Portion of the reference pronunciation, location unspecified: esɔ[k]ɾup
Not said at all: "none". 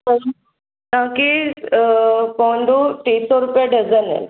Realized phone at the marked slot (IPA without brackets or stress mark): none